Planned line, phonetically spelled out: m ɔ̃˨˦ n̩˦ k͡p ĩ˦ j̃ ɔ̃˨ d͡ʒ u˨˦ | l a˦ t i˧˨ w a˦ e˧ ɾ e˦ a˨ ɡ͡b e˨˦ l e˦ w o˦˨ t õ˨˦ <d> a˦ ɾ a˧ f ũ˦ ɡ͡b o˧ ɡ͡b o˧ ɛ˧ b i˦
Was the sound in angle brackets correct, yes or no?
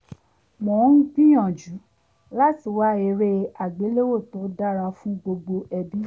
yes